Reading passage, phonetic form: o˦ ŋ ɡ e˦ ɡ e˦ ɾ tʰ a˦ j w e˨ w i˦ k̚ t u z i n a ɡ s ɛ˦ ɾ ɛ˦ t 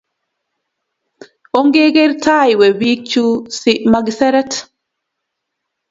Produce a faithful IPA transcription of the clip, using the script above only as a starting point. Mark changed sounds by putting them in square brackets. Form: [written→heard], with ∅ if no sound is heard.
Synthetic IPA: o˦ ŋ ɡ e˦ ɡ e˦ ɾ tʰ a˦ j w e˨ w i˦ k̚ [t→t͡ʃ] u [z→s] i [n→m] a ɡ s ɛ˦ ɾ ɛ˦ t